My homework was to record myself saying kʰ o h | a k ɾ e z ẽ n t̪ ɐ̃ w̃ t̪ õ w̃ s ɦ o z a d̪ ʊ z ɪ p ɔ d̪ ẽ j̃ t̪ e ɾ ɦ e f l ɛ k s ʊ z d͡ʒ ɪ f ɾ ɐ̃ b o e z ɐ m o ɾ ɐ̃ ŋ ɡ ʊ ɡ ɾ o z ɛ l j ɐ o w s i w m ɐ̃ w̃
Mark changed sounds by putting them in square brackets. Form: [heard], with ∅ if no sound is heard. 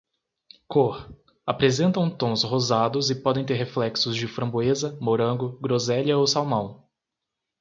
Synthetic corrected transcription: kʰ o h | a [p] ɾ e z ẽ n t̪ ɐ̃ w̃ t̪ õ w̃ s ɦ o z a d̪ ʊ z ɪ p ɔ d̪ ẽ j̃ t̪ e ɾ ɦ e f l ɛ k s ʊ z d͡ʒ ɪ f ɾ ɐ̃ b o e z ɐ m o ɾ ɐ̃ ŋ ɡ ʊ ɡ ɾ o z ɛ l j ɐ o w s [a] w m ɐ̃ w̃